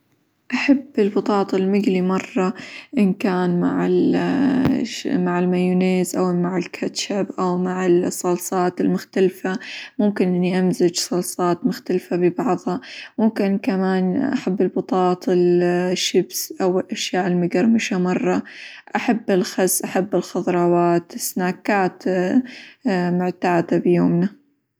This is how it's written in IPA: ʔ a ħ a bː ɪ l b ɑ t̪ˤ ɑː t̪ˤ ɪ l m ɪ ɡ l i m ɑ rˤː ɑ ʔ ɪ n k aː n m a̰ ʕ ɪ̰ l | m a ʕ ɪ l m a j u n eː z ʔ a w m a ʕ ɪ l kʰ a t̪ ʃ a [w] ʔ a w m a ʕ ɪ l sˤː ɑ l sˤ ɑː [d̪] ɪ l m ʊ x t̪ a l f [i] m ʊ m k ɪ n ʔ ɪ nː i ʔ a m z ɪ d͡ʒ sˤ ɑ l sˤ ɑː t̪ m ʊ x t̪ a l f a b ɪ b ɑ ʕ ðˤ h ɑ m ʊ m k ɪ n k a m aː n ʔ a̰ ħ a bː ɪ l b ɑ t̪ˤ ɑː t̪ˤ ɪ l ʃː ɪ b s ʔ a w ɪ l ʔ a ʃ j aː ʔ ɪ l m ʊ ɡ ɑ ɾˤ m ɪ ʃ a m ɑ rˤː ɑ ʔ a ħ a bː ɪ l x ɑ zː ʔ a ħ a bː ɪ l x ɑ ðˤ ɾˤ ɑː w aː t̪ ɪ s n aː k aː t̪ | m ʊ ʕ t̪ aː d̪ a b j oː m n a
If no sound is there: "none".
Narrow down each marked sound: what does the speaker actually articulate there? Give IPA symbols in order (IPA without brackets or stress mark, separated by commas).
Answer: b, t̪, a